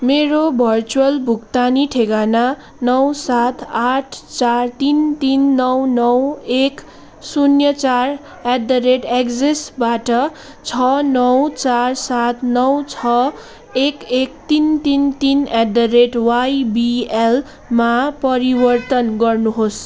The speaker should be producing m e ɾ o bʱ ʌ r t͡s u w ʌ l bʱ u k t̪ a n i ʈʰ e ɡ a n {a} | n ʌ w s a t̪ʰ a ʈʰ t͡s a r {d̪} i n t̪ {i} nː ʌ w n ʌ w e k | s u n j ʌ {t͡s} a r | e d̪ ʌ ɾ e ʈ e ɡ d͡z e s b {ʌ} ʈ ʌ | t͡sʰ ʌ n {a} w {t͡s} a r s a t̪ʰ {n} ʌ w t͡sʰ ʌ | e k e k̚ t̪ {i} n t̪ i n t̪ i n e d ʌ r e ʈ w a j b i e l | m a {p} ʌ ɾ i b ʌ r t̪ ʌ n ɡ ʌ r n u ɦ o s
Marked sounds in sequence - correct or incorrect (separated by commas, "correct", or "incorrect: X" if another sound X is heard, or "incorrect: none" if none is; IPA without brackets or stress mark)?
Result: correct, incorrect: t̪, correct, correct, incorrect: a, incorrect: ʌ, correct, correct, correct, correct